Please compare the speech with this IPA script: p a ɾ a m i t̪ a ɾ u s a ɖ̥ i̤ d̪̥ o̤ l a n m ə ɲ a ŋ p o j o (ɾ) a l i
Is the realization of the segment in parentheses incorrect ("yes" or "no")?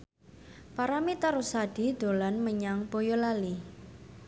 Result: yes